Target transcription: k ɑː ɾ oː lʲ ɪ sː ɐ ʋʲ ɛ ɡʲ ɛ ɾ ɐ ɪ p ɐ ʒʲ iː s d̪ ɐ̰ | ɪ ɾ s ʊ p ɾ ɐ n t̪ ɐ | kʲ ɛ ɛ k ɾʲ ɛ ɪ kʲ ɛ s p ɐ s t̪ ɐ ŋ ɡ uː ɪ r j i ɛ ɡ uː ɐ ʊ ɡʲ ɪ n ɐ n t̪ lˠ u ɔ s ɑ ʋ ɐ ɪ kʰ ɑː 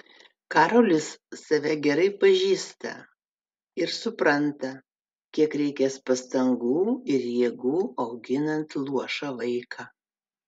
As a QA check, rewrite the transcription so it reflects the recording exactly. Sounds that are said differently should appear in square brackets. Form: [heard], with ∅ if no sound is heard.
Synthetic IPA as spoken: k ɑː ɾ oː lʲ ɪ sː ɐ ʋʲ ɛ ɡʲ ɛ ɾ ɐ ɪ p ɐ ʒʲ iː s [t̪] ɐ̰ | ɪ ɾ s ʊ p ɾ ɐ n t̪ ɐ | kʲ [i] ɛ k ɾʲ ɛ ɪ kʲ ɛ s p ɐ s t̪ ɐ ŋ ɡ uː ɪ [ɾ] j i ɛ ɡ uː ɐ ʊ ɡʲ ɪ n ɐ n t̪ lˠ u ɔ [ʃ] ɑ ʋ ɐ ɪ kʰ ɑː